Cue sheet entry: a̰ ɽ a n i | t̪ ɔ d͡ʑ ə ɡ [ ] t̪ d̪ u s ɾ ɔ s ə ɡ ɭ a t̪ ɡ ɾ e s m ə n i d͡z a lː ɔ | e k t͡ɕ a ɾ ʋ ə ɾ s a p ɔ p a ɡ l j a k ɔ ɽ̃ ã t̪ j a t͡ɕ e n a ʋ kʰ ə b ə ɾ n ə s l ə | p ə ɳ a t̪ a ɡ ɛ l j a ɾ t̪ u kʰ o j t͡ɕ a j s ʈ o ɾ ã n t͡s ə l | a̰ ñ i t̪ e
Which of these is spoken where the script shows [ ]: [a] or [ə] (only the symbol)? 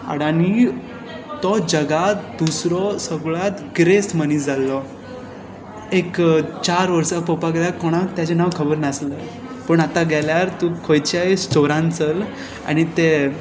a